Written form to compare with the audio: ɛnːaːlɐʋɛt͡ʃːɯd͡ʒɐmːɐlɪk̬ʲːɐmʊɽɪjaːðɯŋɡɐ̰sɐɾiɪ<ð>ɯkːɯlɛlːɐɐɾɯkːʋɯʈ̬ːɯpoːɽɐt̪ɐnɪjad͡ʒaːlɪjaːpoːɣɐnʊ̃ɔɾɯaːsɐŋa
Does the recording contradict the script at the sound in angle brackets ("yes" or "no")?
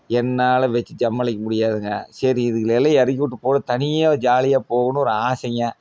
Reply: no